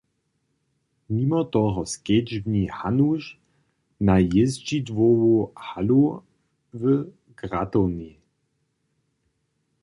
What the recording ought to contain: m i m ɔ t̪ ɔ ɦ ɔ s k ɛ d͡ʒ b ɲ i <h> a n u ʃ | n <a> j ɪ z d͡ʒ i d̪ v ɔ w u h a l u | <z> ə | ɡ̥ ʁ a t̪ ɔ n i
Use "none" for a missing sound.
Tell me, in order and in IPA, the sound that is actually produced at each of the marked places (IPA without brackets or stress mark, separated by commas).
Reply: h, a, v